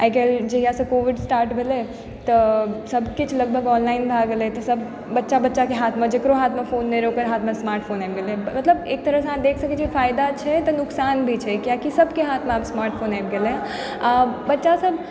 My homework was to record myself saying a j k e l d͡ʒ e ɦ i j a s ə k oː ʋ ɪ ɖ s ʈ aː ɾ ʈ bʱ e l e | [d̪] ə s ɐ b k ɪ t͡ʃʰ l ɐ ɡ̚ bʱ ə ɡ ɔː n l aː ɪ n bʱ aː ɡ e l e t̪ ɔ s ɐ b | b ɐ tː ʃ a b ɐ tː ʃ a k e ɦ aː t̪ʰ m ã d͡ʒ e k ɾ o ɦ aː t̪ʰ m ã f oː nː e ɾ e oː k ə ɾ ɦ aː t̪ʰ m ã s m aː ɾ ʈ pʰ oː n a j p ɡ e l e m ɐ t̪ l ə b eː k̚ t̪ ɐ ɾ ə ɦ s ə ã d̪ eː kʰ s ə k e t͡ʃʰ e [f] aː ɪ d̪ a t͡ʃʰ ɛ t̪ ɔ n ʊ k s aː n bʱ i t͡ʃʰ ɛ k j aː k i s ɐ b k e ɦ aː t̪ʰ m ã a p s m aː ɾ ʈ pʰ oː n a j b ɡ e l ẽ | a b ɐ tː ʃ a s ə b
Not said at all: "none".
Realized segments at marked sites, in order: t̪, f

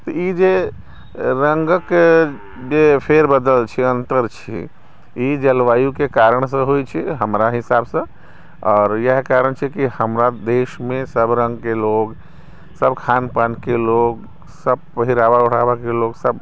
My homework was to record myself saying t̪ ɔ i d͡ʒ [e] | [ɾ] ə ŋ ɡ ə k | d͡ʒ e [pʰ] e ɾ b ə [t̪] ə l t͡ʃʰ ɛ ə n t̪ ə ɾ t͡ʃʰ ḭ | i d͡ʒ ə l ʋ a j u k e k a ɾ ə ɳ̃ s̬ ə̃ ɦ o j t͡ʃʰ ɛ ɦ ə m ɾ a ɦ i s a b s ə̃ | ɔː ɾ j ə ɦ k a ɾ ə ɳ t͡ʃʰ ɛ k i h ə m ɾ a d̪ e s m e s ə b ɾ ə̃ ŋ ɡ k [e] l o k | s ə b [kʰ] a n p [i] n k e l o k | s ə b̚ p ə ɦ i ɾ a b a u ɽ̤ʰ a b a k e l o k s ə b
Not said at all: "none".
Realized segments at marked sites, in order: e, ɾ, pʰ, d̪, e, kʰ, a

